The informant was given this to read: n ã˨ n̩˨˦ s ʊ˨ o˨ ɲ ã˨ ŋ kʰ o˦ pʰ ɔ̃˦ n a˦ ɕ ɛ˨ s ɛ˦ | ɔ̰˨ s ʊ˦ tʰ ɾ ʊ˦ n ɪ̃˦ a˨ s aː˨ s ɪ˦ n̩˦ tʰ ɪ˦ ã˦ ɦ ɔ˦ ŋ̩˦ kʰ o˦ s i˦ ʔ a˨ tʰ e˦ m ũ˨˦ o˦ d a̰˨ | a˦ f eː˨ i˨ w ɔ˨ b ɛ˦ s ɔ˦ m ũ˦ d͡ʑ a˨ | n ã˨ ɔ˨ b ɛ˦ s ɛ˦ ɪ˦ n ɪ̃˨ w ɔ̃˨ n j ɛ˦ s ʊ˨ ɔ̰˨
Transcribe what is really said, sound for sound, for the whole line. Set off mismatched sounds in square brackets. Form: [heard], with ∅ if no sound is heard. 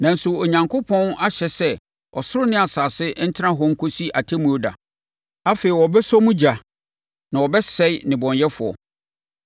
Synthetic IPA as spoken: n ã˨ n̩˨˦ s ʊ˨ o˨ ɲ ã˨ ŋ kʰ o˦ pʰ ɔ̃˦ n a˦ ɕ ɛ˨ s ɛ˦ | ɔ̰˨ s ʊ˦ [∅] ɾ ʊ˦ n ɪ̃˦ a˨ s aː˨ s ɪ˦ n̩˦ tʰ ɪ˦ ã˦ ɦ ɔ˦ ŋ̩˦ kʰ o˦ s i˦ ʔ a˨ tʰ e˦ m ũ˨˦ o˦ d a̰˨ | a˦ f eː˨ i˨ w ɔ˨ b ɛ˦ s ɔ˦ m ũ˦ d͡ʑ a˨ | n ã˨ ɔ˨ b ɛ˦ s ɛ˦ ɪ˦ n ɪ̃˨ [b] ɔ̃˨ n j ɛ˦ [f] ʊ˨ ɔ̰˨